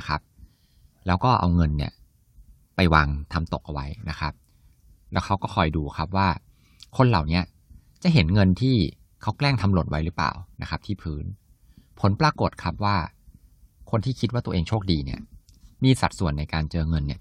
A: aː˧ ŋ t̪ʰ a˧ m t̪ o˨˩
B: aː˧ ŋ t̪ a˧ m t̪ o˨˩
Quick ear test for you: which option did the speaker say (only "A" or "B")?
A